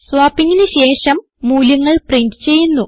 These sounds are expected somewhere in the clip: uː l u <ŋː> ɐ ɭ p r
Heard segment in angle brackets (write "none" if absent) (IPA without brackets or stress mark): ŋː